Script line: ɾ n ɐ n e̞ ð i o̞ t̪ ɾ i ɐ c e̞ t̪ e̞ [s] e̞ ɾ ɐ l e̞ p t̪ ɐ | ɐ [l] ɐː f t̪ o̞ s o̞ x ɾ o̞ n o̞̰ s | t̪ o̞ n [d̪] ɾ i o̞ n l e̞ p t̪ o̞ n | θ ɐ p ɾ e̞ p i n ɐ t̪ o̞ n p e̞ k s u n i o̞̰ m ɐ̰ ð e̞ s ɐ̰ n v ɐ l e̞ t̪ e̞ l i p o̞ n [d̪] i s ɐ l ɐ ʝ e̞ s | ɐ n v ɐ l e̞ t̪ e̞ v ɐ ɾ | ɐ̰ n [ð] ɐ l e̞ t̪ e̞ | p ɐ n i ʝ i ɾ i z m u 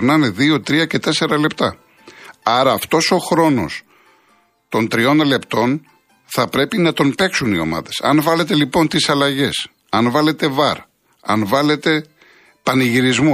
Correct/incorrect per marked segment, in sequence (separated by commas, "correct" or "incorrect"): correct, incorrect, incorrect, incorrect, incorrect